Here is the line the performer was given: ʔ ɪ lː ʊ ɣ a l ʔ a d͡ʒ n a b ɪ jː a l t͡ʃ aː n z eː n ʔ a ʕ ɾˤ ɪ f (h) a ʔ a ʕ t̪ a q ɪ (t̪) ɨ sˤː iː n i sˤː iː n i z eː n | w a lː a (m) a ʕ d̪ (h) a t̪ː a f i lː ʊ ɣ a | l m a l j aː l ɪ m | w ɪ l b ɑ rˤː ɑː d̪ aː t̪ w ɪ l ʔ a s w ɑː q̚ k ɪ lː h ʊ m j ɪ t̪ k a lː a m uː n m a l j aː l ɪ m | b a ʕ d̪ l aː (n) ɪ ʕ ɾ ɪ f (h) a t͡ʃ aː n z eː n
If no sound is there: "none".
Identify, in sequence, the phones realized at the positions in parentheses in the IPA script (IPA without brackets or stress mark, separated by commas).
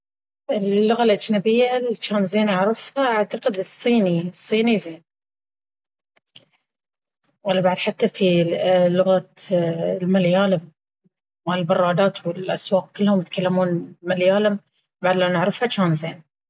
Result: h, d̪, b, ħ, n, h